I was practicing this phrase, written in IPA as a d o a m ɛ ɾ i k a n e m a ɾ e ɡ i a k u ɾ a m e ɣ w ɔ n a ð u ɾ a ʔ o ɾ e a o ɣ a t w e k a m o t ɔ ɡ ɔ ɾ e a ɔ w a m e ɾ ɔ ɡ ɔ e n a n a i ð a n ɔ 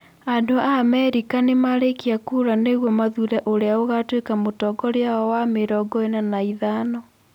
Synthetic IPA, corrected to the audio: a d o a m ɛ ɾ i k a n e m a ɾ e k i a k u ɾ a n e ɣ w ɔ m a ð u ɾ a ʔ o ɾ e a o ɣ a t w e k a m o t ɔ ɡ ɔ ɾ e a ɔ w a m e ɾ ɔ ɡ ɔ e n a n a i ð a n ɔ

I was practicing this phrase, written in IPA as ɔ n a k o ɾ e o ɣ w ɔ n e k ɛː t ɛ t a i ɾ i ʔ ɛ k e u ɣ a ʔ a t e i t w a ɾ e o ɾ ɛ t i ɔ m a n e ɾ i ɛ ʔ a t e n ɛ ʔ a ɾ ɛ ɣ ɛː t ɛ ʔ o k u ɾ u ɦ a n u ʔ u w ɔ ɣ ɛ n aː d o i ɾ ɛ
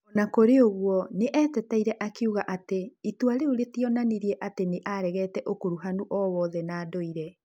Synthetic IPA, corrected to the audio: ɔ n a k o ɾ e o ɣ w ɔ n e ʔ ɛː t ɛ t a i ɾ ɛ ʔ a k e u ɣ a ʔ a t e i t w a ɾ e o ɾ e t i ɔ n a n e ɾ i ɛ ʔ a t e n e ʔ a ɾ ɛ ɣ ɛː t ɛ ʔ o k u ɾ u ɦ a n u ʔ ɔ w ɔ ð ɛ n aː d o i ɾ ɛ

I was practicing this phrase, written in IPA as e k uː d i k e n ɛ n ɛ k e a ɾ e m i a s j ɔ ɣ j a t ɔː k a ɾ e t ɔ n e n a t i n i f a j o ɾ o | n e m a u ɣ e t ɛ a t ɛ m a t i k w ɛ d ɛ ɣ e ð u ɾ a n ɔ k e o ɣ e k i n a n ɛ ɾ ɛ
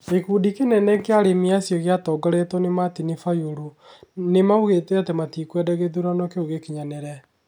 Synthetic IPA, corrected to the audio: e k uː d i k e n ɛ n ɛ k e a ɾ e m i a s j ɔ ɣ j a t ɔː ɡ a ɾ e t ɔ n e m a t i n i f a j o ɾ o | n e m a u ɣ e t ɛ a t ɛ m a t i k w ɛ d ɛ ɣ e ð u ɾ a n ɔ k e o ɣ e k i ɲ a n ɛ ɾ ɛ

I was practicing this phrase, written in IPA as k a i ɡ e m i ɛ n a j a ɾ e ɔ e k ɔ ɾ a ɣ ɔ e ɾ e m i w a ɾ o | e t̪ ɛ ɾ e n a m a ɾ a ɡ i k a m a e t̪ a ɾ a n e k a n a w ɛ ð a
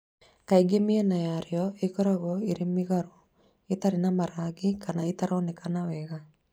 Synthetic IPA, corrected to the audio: k a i ɡ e m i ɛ n a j a ɾ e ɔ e k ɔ ɾ a ɣ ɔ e ɾ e m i ɣ a ɾ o | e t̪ a ɾ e n a m a ɾ a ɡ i k a n a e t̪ a ɾ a n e k a n a w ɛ ɣ a

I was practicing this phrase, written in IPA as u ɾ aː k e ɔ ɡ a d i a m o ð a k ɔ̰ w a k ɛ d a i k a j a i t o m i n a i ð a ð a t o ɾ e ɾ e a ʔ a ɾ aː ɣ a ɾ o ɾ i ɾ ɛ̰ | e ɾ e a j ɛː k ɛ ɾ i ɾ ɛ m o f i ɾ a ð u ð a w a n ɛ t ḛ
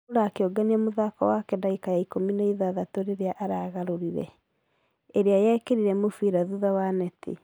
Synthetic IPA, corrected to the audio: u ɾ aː k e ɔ ɡ a n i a m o ð a k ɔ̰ w a k ɛ d a i k a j a i k o m i n a i ð a ð a t o ɾ e ɾ e a ʔ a ɾ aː ɣ a ɾ o ɾ i ɾ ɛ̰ | e ɾ e a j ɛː k e ɾ i ɾ ɛ m o f i ɾ a ð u ð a w a n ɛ t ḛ

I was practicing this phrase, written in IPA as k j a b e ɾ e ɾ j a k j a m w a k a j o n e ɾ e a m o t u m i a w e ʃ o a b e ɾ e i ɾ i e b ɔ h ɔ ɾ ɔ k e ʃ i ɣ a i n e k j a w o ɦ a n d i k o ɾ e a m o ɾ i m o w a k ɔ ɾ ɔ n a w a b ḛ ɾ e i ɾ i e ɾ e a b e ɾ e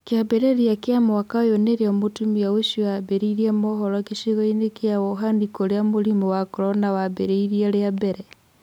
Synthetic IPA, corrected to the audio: k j a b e ɾ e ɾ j a k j a m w a k a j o n e ɾ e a m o t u m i a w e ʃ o a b e ɾ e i ɾ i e m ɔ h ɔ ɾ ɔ k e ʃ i ɣ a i n e k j a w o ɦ a n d i k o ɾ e a m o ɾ i m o w a k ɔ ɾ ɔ n a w a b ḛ ɾ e i ɾ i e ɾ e a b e ɾ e

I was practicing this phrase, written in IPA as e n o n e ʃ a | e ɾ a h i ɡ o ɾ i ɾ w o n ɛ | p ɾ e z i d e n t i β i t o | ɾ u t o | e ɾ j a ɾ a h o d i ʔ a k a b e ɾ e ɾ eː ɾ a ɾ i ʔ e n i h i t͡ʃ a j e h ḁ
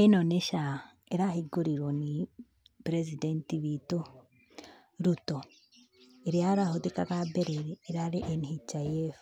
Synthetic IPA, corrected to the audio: e n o n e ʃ a | e ɾ a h i ɡ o ɾ i ɾ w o n i | p ɾ e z i d e n t i β i t o | ɾ u t o | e ɾ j a ɾ a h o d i k a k a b e ɾ e ɾ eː ɾ a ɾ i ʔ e n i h i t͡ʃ a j e f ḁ

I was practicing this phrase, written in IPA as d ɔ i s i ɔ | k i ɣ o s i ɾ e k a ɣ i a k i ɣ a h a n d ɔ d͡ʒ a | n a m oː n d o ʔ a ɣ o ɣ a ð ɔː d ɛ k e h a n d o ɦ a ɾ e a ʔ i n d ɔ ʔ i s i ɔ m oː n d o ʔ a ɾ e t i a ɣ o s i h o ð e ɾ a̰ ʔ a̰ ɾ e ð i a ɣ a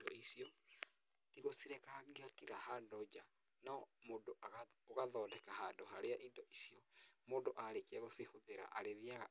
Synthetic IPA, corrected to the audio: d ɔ i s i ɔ | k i ɣ o s i ɾ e k a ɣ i a k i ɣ a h a n d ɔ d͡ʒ a | n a m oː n d o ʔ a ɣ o ɣ a ð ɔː d ɛ k a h a n d o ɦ a ɾ e a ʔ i n d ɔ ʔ i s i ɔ m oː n d o ʔ a ɾ e k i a ɣ o s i h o ð e ɾ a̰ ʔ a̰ ɾ e ð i a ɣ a

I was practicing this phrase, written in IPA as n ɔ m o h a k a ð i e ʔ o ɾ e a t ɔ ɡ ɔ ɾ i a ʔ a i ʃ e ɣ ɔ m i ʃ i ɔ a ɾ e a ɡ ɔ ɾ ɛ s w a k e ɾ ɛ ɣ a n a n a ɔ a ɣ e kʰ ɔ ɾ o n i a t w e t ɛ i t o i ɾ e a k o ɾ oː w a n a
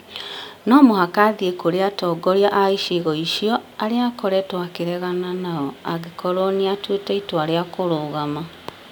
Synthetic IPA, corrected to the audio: n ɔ m o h a k a ð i e k o ɾ e a t ɔ ɡ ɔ ɾ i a ʔ a i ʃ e ɣ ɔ i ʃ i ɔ a ɾ e a k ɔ ɾ ɛ t w a k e ɾ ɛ ɣ a n a n a ɔ a ɣ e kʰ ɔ ɾ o n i a t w e t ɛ i t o a ɾ e a k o ɾ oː ɣ a m a

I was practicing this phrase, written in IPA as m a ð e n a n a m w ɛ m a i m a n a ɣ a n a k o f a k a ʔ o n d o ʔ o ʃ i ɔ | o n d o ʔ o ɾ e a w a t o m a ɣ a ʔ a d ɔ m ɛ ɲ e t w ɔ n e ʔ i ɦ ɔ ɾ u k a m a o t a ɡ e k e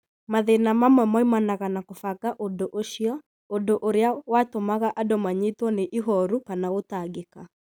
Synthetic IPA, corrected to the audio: m a ð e n a m a m w ɛ m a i m a n a ɣ a n a k o f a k a ʔ o n d o ʔ o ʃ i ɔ | o n d o ʔ o ɾ e a w a t o m a ɣ a ʔ a d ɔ m a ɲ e t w ɔ n e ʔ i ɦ ɔ ɾ u k a n a o t a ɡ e k a

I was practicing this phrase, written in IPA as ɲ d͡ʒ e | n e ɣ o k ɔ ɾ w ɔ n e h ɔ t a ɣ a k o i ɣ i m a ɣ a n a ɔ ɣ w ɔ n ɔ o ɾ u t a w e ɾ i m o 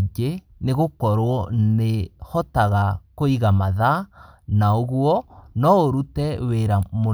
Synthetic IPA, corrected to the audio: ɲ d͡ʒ e | n e ɣ o k ɔ ɾ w ɔ n e h ɔ t a ɣ a k o i ɣ a m a ð a n a o ɣ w ɔ n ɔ o ɾ u t ɛ w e ɾ a m o

